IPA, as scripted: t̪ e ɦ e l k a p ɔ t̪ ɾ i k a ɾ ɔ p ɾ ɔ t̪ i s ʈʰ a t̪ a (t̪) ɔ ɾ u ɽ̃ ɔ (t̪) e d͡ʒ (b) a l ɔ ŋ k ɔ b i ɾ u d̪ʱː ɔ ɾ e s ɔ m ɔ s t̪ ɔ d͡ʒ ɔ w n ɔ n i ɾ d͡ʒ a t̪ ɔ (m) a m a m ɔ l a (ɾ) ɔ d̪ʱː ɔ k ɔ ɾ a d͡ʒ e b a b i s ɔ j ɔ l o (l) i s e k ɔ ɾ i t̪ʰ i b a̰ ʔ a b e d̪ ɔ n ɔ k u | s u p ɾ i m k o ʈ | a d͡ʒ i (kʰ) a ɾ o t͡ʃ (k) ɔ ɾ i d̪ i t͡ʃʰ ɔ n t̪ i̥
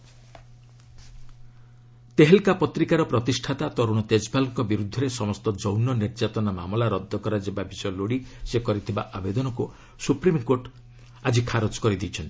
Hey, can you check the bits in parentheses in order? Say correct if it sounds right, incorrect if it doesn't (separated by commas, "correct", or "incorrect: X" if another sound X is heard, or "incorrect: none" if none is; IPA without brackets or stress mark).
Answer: correct, correct, correct, incorrect: n, correct, incorrect: ɽ, correct, correct